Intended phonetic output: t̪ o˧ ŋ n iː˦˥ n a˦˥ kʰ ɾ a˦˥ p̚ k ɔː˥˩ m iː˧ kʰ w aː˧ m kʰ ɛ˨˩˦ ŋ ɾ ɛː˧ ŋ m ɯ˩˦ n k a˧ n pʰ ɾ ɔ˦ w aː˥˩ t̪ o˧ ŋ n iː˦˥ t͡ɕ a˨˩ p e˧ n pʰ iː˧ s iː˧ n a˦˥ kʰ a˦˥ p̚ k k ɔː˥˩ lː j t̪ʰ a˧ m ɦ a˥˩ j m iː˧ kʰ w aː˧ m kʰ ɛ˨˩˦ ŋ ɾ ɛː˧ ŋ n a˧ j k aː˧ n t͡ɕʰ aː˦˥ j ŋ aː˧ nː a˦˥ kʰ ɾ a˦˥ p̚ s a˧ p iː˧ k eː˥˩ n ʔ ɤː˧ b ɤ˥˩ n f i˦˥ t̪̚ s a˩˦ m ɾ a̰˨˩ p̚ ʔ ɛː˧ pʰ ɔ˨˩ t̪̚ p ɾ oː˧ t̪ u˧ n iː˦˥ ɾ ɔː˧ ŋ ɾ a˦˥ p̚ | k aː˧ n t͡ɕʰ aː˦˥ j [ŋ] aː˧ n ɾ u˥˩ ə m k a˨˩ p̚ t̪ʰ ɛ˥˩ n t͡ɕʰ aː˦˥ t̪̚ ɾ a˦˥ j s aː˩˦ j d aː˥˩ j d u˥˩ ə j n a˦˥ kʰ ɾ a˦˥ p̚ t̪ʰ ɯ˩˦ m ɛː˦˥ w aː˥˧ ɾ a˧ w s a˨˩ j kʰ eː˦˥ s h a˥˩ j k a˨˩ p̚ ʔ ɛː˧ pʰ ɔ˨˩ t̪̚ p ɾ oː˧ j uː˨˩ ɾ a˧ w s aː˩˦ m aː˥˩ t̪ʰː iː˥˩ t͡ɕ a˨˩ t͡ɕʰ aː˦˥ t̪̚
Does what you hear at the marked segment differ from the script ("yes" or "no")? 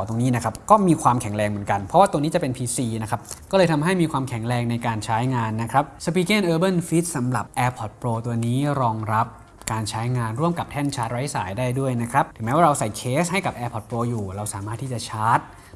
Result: no